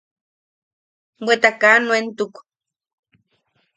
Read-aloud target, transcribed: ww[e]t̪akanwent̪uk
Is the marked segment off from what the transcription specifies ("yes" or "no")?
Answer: no